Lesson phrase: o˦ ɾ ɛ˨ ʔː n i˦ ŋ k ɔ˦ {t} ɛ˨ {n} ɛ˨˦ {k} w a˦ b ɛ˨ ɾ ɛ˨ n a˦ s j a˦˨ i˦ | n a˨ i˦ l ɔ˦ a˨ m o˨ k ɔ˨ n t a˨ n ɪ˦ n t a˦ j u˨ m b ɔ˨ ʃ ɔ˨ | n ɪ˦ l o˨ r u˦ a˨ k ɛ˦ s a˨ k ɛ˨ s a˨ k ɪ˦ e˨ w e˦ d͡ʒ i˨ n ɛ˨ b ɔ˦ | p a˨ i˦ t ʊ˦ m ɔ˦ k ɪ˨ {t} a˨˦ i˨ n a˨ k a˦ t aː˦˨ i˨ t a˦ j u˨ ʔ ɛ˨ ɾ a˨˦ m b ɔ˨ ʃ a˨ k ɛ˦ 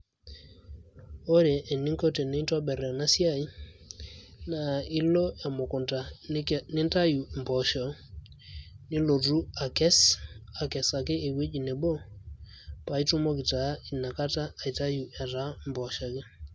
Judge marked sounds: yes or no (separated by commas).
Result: yes, yes, no, yes